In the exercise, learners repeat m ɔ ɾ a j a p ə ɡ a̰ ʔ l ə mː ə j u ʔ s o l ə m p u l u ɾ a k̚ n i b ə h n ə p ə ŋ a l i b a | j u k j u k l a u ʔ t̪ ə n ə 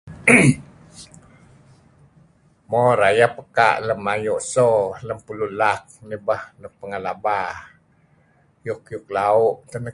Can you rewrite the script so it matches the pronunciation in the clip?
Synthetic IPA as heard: m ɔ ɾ a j a p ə k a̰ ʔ l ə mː a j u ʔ s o l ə m p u l u l a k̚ n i b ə h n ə p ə ŋ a l a b a | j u k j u k l a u ʔ t̪ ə n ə